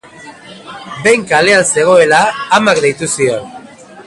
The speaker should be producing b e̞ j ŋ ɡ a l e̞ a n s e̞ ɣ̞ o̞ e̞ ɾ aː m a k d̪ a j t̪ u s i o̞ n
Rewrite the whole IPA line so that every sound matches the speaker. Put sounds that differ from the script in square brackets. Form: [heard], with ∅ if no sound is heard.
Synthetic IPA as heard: b e̞ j ŋ [k] a l e̞ a n s e̞ ɣ̞ o̞ e̞ [l] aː m a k d̪ [e] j t̪ u s i o̞ n